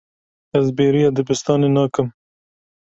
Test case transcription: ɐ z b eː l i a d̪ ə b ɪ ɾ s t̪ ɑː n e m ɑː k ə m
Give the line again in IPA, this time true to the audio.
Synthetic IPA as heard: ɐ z b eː ɾ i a d̪ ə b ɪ s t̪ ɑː n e n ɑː k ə m